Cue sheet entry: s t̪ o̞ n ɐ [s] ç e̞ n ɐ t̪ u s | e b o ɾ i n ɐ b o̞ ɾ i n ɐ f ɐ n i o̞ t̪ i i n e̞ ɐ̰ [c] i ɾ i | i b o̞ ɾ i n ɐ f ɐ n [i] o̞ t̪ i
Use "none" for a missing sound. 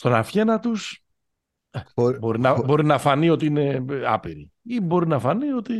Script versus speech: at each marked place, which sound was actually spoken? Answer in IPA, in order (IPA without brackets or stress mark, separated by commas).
f, p, i